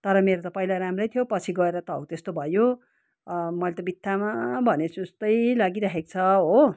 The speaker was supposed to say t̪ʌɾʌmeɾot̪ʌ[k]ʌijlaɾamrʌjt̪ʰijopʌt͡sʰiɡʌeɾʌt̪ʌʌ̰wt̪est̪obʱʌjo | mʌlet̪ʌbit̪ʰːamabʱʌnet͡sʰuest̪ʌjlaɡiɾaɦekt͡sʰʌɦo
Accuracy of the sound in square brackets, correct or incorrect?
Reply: incorrect